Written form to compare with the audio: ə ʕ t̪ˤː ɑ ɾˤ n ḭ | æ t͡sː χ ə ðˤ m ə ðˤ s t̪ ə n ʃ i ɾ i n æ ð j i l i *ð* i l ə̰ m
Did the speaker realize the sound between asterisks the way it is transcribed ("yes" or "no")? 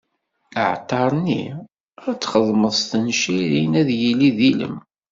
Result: yes